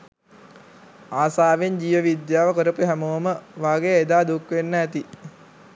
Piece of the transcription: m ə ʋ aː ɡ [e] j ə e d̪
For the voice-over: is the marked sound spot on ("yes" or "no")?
yes